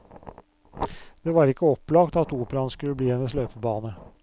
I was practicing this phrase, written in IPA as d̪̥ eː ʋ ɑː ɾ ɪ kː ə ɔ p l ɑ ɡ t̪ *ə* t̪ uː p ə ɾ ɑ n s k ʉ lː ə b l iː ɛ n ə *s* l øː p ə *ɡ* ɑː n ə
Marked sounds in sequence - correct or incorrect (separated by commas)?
incorrect, correct, incorrect